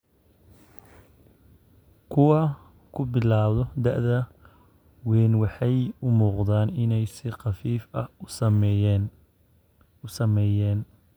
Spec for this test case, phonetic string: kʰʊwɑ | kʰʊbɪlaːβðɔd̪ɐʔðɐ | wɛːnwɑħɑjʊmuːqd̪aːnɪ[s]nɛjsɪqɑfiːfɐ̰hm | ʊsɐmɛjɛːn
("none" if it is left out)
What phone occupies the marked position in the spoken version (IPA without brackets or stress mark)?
none